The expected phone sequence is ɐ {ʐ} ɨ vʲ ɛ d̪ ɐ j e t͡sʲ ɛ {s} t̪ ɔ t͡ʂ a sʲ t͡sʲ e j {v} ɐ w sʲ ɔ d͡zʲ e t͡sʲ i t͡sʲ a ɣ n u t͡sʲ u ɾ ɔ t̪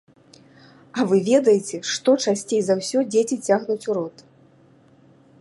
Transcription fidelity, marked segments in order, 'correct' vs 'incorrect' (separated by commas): incorrect, incorrect, incorrect